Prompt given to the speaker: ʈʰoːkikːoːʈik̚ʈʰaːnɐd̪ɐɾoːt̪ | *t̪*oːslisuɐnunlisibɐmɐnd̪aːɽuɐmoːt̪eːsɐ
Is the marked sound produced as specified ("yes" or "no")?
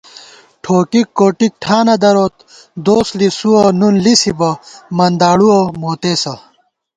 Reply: no